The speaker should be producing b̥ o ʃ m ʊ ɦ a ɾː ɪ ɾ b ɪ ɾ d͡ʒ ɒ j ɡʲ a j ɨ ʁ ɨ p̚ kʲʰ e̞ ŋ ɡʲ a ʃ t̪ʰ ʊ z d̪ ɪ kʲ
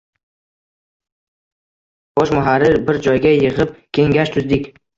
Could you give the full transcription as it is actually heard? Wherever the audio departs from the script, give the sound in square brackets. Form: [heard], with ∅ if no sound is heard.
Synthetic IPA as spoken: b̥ [ɒ] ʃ m ʊ ɦ a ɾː ɪ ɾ b ɪ ɾ d͡ʒ ɒ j ɡʲ a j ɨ ʁ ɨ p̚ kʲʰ e̞ ŋ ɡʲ a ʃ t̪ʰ ʊ z d̪ ɪ kʲ